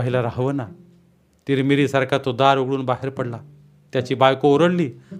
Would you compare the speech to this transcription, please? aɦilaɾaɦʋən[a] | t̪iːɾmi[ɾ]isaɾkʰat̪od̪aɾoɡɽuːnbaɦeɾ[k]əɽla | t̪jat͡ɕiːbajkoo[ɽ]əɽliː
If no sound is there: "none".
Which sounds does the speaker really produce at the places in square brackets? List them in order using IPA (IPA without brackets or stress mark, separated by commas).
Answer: a, ɾ, p, ɾ